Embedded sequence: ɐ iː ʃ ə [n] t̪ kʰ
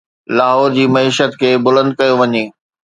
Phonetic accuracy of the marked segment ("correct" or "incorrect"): incorrect